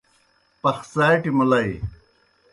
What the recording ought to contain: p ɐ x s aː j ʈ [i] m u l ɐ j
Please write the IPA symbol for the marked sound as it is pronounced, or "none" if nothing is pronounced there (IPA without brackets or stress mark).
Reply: i